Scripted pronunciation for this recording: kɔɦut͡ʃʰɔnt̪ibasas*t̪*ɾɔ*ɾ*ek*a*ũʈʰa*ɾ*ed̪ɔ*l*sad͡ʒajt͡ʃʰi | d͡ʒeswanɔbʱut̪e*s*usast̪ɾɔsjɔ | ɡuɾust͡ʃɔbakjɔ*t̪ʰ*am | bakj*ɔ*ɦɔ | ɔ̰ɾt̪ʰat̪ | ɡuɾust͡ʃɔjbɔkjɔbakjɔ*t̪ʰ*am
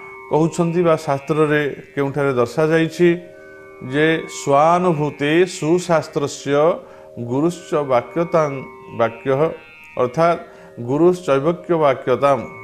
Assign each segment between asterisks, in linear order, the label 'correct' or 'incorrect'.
correct, correct, incorrect, correct, incorrect, correct, incorrect, correct, incorrect

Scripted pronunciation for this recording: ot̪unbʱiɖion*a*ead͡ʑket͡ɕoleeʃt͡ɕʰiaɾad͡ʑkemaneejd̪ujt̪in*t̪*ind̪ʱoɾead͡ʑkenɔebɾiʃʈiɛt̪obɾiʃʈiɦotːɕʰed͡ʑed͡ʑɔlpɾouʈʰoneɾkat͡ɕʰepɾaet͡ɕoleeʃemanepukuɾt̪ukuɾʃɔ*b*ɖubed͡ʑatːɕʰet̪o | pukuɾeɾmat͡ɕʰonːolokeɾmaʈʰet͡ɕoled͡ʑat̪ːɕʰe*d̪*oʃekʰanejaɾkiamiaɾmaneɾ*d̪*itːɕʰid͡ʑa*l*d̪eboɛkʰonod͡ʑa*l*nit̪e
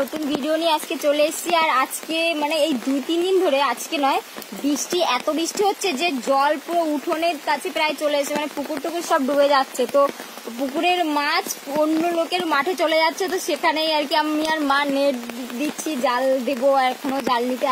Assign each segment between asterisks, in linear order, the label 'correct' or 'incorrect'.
incorrect, incorrect, correct, incorrect, correct, correct, correct

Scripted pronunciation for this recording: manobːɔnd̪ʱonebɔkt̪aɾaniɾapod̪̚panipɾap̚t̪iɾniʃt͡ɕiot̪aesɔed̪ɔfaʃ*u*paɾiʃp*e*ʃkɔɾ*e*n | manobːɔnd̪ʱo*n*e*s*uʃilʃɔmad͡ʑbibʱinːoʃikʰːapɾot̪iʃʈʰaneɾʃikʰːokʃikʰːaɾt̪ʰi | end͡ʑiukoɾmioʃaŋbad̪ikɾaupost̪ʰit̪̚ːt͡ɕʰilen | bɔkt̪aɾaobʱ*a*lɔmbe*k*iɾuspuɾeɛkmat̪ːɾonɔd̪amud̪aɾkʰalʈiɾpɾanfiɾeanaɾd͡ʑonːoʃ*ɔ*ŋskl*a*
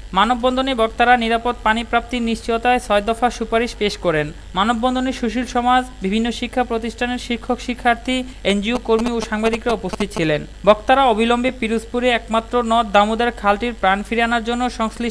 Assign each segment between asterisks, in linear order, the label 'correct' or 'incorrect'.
correct, correct, correct, correct, incorrect, incorrect, incorrect, correct, incorrect

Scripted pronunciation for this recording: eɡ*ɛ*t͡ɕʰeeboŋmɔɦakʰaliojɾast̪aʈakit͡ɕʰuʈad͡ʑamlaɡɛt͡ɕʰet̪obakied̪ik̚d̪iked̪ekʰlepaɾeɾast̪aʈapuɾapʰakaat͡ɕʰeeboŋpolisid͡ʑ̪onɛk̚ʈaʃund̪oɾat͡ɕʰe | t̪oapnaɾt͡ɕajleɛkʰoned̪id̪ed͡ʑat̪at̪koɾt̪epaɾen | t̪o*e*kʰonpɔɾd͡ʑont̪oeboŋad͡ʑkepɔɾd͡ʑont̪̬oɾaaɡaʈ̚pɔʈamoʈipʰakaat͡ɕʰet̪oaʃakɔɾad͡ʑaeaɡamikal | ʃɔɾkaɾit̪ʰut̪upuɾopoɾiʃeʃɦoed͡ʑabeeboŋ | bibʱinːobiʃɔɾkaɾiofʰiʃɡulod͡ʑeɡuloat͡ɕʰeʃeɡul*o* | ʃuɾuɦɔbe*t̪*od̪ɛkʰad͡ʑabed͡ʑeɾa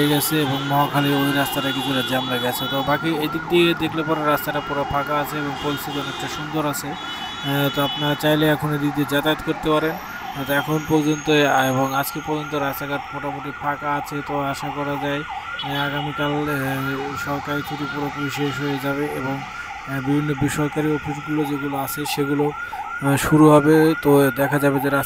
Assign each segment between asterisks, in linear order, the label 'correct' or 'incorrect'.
correct, incorrect, correct, correct

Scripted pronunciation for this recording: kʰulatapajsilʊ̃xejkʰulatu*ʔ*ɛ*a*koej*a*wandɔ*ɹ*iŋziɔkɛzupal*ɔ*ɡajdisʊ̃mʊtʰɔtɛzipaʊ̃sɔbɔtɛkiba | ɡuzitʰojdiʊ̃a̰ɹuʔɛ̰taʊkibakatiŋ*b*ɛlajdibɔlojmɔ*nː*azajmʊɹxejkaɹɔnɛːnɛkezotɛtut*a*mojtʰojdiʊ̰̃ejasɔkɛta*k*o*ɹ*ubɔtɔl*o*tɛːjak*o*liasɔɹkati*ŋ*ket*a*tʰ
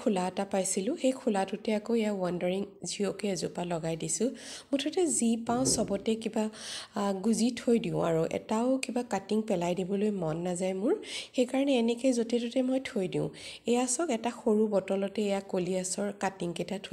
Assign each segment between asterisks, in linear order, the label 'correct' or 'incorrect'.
incorrect, correct, correct, correct, correct, incorrect, correct, incorrect, incorrect, correct, incorrect, correct, correct, correct

